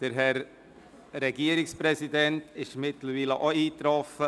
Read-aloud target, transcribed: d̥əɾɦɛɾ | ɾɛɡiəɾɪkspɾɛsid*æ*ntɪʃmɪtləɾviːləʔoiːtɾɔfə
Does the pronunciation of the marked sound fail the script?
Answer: yes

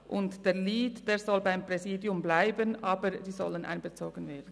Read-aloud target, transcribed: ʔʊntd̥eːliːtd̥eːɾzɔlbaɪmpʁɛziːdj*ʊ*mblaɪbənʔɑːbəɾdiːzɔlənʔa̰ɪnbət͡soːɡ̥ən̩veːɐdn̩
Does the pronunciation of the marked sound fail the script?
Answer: no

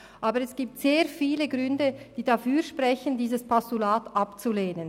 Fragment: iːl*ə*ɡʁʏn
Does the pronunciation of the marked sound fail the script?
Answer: no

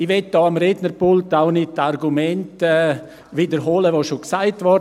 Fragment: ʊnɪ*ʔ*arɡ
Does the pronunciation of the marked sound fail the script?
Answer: yes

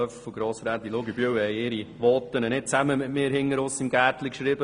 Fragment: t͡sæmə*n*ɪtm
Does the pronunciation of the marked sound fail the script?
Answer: yes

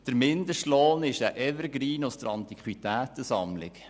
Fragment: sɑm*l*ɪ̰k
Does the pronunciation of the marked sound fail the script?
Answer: no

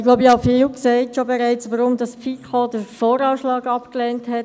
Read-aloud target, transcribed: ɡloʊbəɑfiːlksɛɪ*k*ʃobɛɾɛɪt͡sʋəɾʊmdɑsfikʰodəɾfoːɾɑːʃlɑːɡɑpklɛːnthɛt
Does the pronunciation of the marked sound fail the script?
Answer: yes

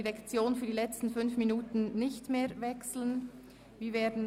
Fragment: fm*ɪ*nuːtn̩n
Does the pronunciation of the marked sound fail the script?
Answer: yes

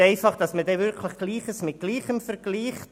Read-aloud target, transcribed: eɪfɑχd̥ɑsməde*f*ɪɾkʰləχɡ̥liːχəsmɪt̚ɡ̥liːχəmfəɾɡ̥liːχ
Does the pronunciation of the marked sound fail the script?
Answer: yes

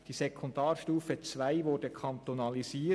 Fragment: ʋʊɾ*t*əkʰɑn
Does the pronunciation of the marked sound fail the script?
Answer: yes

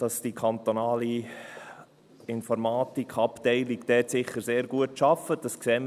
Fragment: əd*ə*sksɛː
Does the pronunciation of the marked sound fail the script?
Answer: yes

